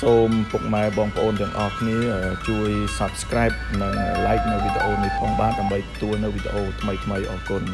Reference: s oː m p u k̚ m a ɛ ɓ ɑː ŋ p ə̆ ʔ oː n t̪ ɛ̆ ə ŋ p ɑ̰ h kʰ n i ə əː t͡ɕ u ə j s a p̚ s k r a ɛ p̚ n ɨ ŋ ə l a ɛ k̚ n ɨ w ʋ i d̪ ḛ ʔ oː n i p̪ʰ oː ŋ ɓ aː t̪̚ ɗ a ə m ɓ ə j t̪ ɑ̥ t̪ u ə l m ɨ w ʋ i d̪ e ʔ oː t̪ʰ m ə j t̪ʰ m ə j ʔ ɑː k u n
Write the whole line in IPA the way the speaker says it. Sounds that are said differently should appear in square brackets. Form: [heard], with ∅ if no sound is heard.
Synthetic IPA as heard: s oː m p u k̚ m a ɛ ɓ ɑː ŋ p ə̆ ʔ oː n t̪ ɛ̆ ə ŋ [ʔ] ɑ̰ h kʰ n i ə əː t͡ɕ u ə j s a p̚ s k r a ɛ p̚ n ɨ ŋ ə l a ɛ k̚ n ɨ w ʋ i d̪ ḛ ʔ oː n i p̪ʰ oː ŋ ɓ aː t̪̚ ɗ a ə m ɓ ə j t̪ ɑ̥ t̪ u ə l [n] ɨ w ʋ i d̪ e ʔ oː t̪ʰ m ə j t̪ʰ m ə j ʔ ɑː k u n